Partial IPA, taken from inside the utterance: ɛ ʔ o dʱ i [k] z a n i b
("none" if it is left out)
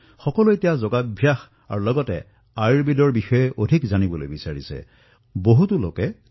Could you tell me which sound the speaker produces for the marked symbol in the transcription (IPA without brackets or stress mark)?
k